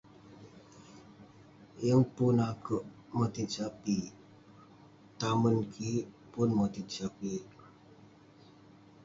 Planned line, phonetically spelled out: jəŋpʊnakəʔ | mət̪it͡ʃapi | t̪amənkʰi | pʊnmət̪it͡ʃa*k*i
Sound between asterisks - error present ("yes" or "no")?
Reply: yes